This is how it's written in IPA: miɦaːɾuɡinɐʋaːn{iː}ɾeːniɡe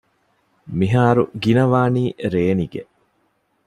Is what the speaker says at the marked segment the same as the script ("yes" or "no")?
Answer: yes